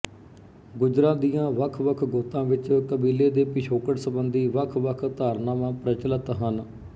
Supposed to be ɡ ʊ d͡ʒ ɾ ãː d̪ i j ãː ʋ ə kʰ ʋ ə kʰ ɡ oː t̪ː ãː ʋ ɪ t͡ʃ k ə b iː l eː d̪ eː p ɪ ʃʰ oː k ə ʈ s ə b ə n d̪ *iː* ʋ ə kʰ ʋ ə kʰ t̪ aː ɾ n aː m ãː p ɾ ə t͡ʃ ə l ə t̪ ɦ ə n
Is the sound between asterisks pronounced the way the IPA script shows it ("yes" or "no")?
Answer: yes